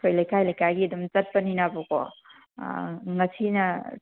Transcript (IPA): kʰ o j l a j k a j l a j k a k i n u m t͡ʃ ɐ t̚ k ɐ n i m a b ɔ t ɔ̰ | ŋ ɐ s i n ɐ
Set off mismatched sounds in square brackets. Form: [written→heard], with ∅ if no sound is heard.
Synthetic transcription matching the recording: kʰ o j l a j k a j l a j k a [k→ɡ] i [n→d] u m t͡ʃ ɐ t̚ [k→p] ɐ n i [m→n] a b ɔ [t→k] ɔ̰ | ŋ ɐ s i n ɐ